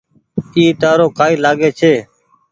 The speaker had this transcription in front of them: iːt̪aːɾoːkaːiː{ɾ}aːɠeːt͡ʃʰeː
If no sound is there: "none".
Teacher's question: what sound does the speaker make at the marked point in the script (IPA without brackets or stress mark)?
l